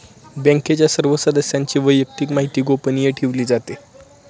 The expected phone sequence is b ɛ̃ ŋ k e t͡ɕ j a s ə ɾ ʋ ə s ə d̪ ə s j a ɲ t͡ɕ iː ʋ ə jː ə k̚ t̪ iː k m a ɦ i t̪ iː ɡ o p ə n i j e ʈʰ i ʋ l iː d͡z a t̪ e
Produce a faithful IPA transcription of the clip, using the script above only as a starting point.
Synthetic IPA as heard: b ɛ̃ ŋ k e t͡ɕ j a s ə ɾ ʋ ə s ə d̪ ə s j a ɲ t͡ɕ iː ʋ ə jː ə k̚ t̪ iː k m a ɦ i t̪ iː ɡ o p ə n i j e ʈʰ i ʋ l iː d͡z a t̪ e